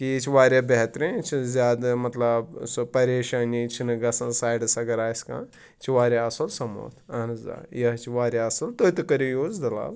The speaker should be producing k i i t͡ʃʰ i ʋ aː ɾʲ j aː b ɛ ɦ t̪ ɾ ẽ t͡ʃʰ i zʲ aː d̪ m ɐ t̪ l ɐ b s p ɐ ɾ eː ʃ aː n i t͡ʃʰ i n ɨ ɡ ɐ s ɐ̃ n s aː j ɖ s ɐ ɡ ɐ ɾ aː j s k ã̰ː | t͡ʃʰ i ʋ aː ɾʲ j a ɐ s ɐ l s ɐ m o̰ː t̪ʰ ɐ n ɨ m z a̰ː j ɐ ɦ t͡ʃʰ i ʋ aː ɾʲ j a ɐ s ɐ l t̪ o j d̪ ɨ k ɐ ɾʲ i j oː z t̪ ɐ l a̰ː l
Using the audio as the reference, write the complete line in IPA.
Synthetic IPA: k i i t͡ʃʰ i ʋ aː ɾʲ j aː b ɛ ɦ t̪ ɾ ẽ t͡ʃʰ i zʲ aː d̪ m ɐ t̪ l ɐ b s p ɐ ɾ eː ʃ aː n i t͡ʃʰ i n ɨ ɡ ɐ s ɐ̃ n s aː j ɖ s ɐ ɡ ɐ ɾ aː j s k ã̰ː | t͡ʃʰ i ʋ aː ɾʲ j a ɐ s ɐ l s ɐ m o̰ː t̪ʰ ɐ n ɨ z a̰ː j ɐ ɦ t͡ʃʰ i ʋ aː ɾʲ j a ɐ s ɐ l t̪ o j t̪ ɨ k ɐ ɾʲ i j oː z d̪ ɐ l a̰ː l